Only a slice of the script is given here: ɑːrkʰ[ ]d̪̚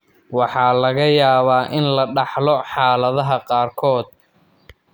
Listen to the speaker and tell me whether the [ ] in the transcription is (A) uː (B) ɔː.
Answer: B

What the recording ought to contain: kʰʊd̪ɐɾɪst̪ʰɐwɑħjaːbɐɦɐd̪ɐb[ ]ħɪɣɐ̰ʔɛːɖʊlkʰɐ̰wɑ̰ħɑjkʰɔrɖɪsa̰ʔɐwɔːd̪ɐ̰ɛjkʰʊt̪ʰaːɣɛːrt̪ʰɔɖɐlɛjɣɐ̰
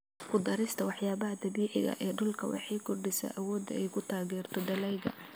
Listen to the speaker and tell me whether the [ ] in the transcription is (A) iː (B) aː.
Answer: A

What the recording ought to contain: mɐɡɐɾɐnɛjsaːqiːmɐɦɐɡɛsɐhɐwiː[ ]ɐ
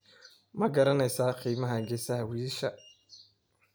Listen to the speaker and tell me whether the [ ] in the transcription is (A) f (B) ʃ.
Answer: B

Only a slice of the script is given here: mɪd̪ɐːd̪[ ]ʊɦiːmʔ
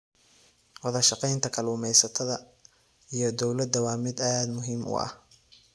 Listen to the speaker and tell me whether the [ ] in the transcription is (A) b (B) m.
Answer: B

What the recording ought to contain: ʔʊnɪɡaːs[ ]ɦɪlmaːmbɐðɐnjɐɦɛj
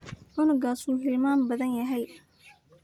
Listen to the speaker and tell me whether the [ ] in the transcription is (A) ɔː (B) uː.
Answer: B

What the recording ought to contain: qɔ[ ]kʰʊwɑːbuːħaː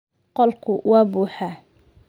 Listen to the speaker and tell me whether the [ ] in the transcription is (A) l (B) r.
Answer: A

